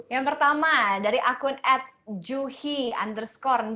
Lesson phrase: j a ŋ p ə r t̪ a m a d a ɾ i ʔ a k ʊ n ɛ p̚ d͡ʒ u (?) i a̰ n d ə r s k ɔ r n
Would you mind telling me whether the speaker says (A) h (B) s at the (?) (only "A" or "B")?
A